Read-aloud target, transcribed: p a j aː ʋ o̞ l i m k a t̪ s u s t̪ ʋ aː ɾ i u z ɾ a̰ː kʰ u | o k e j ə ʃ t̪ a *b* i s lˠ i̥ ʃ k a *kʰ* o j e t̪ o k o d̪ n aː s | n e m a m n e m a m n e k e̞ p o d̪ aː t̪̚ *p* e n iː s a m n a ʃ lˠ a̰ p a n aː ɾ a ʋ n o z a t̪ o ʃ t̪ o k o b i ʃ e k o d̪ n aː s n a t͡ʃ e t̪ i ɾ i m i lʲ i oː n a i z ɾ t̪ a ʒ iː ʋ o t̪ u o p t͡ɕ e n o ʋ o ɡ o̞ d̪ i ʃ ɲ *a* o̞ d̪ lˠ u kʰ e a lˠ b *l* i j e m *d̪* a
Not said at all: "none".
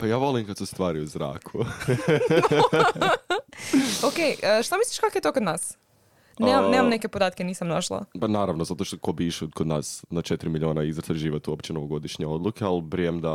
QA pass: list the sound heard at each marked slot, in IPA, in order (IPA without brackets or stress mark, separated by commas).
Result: m, k, k, e, ɾ, d̪